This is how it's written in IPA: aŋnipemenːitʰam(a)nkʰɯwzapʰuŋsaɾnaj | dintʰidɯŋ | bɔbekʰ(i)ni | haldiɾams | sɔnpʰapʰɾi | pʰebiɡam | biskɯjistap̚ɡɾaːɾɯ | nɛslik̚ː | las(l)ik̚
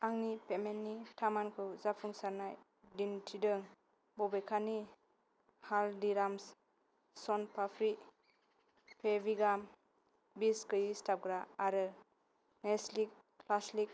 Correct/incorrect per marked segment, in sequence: correct, incorrect, correct

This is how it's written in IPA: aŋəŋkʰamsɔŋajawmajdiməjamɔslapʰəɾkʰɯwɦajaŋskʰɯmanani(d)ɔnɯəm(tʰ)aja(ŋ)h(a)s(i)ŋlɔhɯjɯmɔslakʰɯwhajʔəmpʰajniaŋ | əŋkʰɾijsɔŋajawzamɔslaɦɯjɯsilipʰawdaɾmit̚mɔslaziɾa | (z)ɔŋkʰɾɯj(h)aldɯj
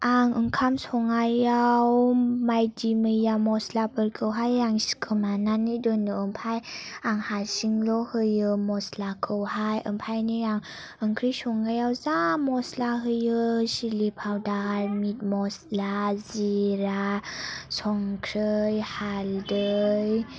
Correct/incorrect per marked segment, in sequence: correct, incorrect, correct, correct, correct, incorrect, correct

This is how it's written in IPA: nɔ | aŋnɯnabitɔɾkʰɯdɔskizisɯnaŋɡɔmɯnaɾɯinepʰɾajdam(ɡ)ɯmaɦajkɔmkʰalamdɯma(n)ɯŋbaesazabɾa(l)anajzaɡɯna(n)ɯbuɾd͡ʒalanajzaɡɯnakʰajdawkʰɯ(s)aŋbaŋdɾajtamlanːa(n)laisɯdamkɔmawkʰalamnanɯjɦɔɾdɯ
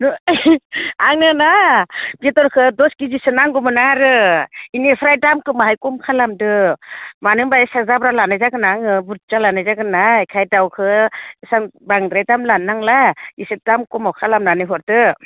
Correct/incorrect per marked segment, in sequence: incorrect, correct, correct, incorrect, correct, incorrect

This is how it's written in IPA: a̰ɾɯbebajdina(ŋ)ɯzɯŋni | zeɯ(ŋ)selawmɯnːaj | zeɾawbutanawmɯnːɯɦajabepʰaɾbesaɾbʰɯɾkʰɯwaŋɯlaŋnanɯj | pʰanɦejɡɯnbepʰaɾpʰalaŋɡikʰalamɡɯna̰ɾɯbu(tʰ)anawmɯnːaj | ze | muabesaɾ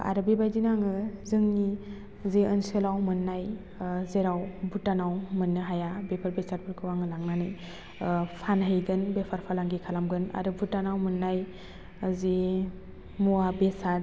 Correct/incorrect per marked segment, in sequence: correct, incorrect, incorrect

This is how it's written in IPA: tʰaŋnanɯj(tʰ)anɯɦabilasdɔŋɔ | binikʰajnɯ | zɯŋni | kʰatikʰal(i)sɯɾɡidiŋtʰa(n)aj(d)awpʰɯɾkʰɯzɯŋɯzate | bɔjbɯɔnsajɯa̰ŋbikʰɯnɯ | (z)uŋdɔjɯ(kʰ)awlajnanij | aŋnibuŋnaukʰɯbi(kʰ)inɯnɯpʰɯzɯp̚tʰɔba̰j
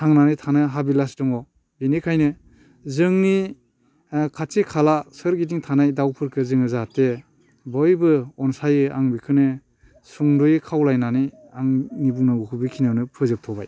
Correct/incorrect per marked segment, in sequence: correct, incorrect, correct, correct, incorrect, correct, correct

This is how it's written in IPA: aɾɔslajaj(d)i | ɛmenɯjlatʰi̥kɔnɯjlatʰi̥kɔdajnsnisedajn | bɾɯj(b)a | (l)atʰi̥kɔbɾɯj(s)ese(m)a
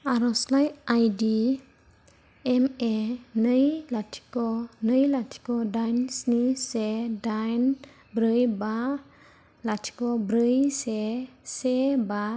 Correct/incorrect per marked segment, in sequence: correct, correct, correct, correct, incorrect

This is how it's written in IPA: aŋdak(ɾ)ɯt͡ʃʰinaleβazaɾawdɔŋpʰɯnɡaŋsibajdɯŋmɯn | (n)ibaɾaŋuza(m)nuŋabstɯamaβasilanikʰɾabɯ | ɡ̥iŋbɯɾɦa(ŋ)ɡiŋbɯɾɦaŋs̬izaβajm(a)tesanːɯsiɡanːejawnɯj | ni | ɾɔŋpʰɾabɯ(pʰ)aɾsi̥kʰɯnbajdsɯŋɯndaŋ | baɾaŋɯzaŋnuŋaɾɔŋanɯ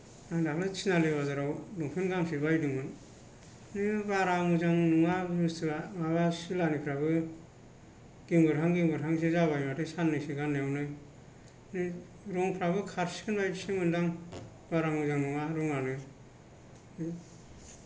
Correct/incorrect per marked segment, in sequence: incorrect, correct, incorrect, correct, correct, incorrect

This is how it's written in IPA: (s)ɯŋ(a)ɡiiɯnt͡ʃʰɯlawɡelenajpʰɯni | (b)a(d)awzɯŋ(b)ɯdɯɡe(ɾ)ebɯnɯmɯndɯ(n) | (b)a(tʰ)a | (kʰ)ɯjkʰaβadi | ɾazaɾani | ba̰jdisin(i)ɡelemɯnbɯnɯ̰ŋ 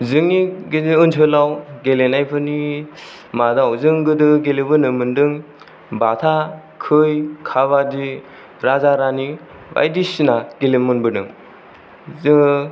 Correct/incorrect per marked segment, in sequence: incorrect, incorrect, incorrect, correct, incorrect, incorrect, incorrect, correct, correct, correct, incorrect

